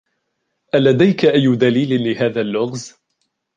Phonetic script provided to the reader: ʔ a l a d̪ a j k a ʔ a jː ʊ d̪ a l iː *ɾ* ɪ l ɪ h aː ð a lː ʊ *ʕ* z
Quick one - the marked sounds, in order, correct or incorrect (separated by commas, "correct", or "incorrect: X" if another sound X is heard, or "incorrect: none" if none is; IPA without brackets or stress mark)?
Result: incorrect: l, incorrect: ɣ